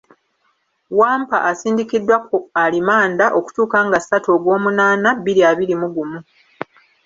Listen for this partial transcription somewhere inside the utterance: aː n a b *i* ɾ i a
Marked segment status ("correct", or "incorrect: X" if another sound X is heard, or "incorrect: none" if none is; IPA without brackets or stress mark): correct